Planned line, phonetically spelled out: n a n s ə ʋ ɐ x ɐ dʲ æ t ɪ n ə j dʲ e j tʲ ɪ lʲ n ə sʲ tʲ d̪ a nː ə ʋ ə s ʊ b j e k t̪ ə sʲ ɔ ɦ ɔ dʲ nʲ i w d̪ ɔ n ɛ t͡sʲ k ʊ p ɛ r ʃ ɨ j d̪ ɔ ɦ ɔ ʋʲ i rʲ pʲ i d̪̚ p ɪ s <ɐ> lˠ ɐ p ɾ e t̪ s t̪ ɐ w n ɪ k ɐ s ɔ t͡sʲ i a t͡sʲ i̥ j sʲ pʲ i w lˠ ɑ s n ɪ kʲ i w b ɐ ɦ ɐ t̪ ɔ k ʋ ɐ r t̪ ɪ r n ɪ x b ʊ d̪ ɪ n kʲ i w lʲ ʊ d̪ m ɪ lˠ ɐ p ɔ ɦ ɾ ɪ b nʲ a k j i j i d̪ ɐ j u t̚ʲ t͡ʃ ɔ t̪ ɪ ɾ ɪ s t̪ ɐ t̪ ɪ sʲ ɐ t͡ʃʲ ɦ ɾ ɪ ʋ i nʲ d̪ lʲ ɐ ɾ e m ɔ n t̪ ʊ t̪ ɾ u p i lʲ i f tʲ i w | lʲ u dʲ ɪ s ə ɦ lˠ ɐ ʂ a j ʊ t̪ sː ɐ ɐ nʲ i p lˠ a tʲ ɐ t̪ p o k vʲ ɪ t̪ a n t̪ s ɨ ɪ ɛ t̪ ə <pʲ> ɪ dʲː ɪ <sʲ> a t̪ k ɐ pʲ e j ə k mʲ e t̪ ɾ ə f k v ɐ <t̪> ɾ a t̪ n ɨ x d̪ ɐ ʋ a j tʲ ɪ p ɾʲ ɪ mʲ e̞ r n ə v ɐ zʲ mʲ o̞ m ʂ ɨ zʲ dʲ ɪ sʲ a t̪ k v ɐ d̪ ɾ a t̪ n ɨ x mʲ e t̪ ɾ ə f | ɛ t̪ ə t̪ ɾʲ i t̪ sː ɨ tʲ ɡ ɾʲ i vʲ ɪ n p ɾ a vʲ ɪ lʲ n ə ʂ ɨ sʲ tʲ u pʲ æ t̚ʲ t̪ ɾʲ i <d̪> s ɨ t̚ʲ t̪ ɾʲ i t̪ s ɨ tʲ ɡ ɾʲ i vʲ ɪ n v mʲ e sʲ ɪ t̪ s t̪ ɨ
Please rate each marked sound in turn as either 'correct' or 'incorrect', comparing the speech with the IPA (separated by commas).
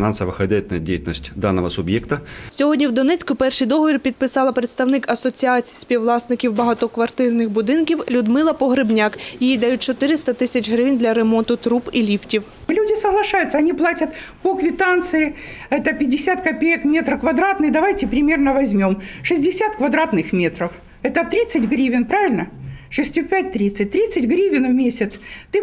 incorrect, correct, correct, incorrect, incorrect